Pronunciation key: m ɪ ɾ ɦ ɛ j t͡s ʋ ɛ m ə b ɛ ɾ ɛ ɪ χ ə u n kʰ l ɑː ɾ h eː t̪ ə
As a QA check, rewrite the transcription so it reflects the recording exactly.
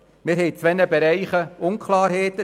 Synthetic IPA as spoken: m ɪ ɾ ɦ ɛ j t͡s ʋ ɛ n ə b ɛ ɾ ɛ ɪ χ ə ʊ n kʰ l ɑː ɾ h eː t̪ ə